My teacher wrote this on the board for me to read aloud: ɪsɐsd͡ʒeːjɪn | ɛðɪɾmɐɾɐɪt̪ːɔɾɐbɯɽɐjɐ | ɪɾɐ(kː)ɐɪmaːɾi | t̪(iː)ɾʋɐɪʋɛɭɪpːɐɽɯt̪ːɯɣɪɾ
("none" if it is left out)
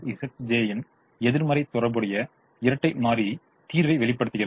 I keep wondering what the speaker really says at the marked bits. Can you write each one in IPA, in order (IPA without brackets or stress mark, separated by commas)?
ʈː, iː